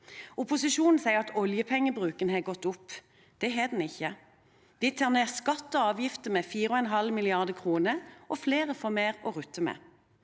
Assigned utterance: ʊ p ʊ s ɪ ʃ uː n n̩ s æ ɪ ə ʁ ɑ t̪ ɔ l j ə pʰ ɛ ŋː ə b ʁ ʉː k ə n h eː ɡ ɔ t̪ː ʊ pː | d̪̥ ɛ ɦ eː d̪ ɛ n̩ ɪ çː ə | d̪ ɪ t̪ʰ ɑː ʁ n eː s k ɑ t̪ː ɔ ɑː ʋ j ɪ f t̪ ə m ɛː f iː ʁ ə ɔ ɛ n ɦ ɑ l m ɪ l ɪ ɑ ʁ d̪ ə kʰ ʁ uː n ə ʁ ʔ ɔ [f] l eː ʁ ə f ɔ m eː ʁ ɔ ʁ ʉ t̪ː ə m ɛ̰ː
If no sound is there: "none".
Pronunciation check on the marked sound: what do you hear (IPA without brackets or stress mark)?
f